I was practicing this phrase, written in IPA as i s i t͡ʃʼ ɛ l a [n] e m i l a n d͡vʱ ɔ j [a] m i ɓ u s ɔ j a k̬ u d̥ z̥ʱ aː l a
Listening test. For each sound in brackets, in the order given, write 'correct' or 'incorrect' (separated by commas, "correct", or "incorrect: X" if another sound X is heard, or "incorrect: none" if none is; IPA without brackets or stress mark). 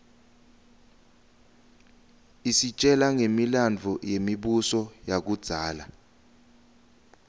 incorrect: ŋ, incorrect: e